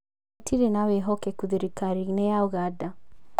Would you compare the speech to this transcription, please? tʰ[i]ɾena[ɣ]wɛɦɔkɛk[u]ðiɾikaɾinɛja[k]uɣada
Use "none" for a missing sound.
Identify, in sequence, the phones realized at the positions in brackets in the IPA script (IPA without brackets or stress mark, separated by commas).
i, none, u, none